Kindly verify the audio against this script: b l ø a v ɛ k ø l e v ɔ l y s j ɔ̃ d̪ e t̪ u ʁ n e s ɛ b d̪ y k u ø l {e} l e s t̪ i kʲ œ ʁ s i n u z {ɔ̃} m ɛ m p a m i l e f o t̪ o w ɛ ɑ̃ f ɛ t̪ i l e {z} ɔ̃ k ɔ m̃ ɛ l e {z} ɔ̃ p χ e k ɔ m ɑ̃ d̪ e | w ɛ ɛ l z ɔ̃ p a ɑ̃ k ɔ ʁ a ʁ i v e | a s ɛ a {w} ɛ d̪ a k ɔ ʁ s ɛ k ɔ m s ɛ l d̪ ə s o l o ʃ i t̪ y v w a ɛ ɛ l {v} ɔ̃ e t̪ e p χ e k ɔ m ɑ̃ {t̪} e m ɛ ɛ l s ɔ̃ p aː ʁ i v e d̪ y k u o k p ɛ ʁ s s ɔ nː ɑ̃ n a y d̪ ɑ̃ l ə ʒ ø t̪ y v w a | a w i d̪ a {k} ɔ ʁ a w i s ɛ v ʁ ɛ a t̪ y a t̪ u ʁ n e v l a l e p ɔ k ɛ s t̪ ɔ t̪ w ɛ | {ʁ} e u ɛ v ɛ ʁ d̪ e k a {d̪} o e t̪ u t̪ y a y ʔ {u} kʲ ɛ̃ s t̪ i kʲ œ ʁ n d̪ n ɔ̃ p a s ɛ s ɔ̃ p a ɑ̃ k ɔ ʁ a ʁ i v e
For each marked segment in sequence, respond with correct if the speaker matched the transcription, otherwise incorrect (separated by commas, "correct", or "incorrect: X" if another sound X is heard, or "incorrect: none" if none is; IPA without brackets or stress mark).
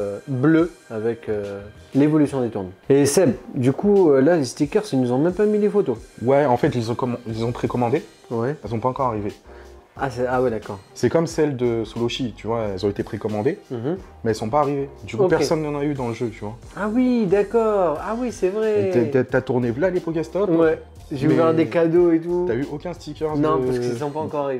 incorrect: a, correct, correct, correct, correct, incorrect: z, incorrect: d̪, correct, incorrect: ʒ, correct, incorrect: o